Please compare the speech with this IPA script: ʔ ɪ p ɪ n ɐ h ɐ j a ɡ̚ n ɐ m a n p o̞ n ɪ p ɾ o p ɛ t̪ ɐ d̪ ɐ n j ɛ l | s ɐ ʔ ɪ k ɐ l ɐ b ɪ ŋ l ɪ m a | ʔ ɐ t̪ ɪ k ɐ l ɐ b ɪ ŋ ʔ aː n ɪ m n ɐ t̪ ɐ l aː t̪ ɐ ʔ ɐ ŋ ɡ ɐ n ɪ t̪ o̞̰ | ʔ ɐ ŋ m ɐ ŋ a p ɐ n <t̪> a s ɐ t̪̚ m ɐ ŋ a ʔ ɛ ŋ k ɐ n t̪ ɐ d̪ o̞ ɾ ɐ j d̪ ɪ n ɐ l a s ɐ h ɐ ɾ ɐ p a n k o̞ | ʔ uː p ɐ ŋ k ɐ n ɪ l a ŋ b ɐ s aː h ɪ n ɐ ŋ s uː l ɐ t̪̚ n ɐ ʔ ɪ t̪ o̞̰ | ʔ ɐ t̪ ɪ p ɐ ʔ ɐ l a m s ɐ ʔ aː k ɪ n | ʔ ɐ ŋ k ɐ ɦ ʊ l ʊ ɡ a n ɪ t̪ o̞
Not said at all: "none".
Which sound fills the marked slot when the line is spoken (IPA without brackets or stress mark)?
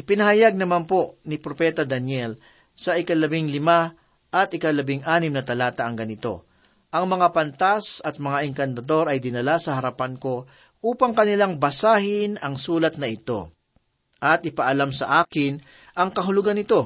t̪